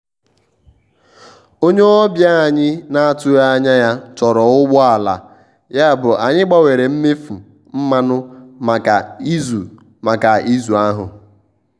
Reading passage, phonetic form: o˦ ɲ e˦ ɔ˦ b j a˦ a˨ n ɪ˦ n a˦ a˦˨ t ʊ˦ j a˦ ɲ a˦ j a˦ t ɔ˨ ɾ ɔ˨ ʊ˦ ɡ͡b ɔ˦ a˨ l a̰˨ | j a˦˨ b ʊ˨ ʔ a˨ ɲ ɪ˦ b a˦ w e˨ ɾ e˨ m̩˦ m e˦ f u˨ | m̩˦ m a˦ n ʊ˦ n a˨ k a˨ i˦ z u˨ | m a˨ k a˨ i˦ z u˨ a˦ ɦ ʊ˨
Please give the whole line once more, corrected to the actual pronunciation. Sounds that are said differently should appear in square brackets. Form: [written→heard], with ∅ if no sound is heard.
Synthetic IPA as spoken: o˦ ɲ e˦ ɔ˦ b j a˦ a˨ [n→ɲ] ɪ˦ n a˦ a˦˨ t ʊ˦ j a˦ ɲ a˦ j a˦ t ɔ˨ ɾ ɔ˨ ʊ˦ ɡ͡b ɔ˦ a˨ l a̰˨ | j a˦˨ b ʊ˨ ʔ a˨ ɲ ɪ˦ [b→ɡ͡b] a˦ w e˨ ɾ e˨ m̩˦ m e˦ f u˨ | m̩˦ m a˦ n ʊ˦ [n→m] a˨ k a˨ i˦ z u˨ | m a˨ k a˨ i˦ z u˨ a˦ ɦ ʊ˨

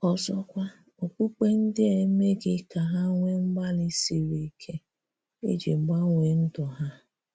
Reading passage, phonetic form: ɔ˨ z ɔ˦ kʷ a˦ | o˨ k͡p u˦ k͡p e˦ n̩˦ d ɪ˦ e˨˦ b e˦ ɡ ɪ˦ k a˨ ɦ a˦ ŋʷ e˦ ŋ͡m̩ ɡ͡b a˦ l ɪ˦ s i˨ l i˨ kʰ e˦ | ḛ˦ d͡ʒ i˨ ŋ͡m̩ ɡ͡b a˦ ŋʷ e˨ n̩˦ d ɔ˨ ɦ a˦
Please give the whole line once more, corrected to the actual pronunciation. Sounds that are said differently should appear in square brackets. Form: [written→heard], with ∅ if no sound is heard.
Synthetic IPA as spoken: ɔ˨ z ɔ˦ kʷ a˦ | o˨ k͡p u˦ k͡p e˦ n̩˦ d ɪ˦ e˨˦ [b→m] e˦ ɡ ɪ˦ k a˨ ɦ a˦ ŋʷ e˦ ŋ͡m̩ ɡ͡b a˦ l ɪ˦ s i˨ [l→ɾ] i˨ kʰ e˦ | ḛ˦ d͡ʒ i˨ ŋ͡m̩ ɡ͡b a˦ ŋʷ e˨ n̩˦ d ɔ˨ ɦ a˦

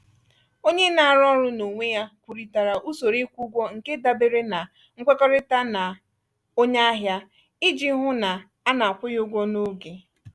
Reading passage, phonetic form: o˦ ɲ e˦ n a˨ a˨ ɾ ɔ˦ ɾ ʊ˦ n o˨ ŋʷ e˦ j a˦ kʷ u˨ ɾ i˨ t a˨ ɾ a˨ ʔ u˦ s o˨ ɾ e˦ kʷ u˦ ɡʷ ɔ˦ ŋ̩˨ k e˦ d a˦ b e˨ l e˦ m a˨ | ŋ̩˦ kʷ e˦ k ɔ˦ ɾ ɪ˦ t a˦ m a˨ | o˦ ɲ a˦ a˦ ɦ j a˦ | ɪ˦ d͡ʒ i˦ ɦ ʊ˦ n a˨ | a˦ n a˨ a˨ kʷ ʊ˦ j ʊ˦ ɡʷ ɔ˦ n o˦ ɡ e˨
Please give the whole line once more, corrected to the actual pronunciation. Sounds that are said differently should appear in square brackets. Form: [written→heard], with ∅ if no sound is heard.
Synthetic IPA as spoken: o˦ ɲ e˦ n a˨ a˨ ɾ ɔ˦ ɾ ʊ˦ n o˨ ŋʷ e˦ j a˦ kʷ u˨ ɾ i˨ t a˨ ɾ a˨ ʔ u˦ s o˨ ɾ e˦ kʷ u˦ ɡʷ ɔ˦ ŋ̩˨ k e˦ d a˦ b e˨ [l→ɾ] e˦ [m→n] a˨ | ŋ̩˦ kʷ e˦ k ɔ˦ ɾ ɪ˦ t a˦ [m→n] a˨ | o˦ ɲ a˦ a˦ ɦ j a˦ | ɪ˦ d͡ʒ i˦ ɦ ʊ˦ n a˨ | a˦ n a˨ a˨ kʷ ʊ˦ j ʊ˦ ɡʷ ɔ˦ n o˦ ɡ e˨

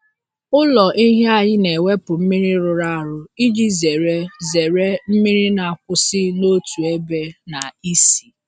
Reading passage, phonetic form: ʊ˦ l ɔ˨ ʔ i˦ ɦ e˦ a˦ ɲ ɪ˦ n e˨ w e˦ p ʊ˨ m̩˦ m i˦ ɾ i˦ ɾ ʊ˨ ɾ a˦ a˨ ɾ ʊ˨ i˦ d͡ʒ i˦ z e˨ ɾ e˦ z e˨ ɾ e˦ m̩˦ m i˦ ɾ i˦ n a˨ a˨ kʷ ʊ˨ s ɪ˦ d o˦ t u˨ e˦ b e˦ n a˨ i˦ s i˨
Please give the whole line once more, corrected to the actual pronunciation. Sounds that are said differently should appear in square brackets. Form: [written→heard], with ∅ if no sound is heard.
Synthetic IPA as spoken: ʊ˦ l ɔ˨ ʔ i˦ ɦ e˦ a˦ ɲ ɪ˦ n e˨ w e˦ p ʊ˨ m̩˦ m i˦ ɾ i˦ ɾ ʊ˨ ɾ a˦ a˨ ɾ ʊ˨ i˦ d͡ʒ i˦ z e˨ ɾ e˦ z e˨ ɾ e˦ m̩˦ m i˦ ɾ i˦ n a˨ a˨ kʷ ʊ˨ s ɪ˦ [d→n] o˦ t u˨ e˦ b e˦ n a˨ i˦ s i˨

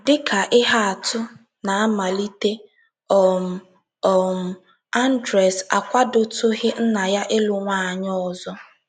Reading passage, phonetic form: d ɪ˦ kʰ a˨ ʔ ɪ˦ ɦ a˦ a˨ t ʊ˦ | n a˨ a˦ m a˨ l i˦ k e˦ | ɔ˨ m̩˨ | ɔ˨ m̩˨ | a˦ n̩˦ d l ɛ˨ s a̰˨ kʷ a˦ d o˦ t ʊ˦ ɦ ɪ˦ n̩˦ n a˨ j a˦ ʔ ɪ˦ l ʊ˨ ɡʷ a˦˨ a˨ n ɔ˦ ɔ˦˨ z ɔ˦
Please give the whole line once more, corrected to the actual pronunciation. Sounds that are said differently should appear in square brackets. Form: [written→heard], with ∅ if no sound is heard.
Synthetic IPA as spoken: d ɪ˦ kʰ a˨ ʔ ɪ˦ ɦ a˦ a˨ t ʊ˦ | n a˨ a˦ m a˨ l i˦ [k→t] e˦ | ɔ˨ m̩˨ | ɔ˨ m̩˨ | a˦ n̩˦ d [l→ɾ] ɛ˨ s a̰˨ kʷ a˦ d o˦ t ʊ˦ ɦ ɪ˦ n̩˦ n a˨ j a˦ ʔ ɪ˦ l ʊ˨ [ɡʷ→ŋʷ] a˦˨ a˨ [n→ɲ] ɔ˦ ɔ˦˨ z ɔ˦

